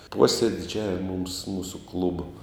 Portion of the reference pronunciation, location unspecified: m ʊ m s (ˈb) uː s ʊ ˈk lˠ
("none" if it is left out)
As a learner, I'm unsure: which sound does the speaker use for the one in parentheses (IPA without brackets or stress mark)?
m